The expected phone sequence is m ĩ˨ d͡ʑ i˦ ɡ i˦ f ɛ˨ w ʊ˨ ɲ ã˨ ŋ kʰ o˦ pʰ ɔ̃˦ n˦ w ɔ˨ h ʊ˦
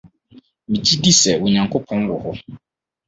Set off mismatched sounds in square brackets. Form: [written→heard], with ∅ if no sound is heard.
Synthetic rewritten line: m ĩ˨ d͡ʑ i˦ [ɡ→d] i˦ [f→s] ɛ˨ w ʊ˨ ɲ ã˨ ŋ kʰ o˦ pʰ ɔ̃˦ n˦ w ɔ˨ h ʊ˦